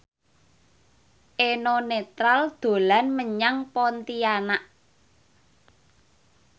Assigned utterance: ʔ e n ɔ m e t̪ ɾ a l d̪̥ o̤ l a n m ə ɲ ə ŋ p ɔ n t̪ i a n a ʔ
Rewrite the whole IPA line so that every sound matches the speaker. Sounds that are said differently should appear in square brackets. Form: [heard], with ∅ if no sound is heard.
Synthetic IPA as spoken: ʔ e n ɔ [n] e t̪ ɾ a l d̪̥ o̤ l a n m ə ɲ [a] ŋ p ɔ n t̪ i a n a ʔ

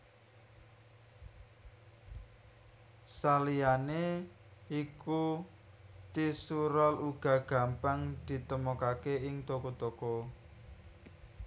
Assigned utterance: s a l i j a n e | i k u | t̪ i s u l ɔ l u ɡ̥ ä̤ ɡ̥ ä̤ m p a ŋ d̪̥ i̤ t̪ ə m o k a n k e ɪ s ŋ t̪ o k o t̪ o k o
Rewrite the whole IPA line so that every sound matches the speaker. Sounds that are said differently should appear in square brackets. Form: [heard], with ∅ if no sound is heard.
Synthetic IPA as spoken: s a l i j a n e | i k u | t̪ i s u [ɾ] ɔ l u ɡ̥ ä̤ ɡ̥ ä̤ m p a ŋ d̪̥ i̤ t̪ ə m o k a [∅] k e ɪ [∅] ŋ t̪ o k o t̪ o k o

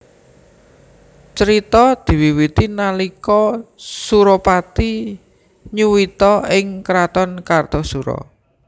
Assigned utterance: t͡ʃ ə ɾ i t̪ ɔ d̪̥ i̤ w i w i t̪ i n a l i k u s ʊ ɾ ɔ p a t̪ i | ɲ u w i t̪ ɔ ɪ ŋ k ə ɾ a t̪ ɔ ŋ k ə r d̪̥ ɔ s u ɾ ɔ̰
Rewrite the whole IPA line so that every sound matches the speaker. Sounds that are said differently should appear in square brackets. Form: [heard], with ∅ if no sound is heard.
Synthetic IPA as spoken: t͡ʃ ə ɾ i t̪ ɔ d̪̥ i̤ w i w i t̪ i n a l i k [ɔ] s [u] ɾ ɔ p a t̪ i | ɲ u w i t̪ ɔ ɪ ŋ k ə ɾ a t̪ ɔ [n] k [a] r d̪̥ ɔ s u ɾ ɔ̰

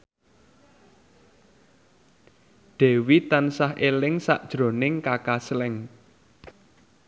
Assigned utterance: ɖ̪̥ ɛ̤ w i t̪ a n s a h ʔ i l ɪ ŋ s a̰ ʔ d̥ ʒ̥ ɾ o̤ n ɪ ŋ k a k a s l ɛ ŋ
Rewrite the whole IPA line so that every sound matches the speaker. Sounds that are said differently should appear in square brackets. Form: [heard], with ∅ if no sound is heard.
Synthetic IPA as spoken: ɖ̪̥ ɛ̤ w i t̪ a n s a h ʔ [e] l ɪ ŋ s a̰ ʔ d̥ ʒ̥ ɾ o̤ n ɪ ŋ k a k a s l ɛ ŋ

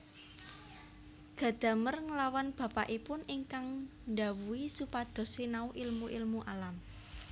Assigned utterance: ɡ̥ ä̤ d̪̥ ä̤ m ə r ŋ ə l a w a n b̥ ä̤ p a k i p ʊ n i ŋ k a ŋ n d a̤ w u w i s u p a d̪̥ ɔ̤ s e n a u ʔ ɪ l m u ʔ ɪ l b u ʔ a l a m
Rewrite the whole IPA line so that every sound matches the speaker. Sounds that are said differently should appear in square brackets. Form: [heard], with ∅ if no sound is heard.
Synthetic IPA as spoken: ɡ̥ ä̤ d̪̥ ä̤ m ə r ŋ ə l a w a n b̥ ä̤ p a [ʔ] i p ʊ n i ŋ k a ŋ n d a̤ w u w i s u p a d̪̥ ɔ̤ s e n a u ʔ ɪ l m u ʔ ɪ l [m] u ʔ a l a m

